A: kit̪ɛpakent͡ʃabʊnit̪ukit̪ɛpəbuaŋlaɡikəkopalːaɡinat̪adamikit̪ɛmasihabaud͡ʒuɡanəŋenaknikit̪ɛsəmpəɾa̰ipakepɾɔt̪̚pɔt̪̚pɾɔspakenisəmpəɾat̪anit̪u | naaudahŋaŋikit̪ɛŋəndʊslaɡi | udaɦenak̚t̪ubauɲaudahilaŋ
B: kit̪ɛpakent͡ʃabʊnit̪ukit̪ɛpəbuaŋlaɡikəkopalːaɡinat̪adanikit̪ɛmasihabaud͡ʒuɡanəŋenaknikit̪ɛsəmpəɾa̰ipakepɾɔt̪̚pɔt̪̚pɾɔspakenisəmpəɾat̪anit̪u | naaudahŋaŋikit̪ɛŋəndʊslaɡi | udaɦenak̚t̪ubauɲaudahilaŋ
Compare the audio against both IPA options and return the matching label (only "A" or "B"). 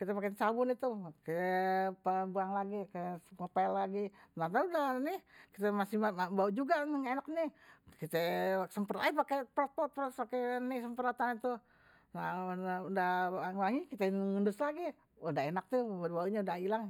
B